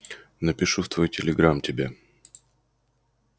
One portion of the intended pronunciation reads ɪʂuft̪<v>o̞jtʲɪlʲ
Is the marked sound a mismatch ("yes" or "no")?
no